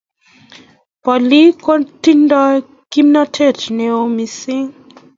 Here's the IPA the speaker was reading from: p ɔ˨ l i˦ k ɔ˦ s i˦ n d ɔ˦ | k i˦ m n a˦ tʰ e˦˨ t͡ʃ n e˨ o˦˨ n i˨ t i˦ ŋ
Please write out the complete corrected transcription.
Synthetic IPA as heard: p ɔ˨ l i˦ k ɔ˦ t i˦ n d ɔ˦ | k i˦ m n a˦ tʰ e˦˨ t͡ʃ n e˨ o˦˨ m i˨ s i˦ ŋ